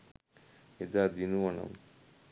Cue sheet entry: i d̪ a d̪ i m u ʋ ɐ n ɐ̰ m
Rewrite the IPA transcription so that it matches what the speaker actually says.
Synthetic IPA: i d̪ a d̪ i n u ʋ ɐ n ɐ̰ m